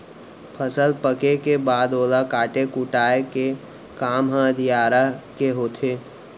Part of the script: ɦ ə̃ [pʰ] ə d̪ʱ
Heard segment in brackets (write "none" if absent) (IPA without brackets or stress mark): none